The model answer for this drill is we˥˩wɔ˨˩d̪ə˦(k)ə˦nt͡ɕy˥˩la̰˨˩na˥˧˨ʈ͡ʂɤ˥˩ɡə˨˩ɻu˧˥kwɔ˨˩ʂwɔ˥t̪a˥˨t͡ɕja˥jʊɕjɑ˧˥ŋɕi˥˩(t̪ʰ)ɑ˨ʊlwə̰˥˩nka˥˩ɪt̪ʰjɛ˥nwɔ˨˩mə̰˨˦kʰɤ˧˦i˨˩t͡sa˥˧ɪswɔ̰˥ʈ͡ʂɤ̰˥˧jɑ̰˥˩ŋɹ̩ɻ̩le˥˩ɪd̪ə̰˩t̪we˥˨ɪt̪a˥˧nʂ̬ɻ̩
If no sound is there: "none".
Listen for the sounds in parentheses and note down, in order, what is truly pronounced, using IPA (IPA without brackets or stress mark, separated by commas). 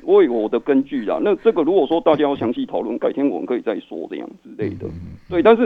k, t̪ʰ